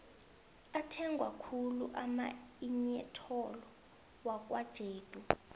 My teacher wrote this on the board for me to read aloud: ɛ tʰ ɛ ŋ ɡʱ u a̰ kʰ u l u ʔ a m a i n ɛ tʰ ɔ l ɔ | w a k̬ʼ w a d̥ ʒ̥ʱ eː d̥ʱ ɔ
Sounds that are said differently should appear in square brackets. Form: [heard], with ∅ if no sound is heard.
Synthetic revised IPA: [a] tʰ ɛ ŋ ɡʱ [w] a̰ kʰ u l u ʔ a m a i [ɲ] ɛ tʰ ɔ l ɔ | w a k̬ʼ w a d̥ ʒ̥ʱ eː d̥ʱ [u]